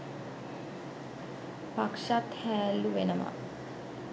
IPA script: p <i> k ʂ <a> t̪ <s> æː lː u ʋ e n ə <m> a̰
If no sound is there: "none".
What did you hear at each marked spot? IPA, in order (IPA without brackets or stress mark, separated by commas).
a, a, h, m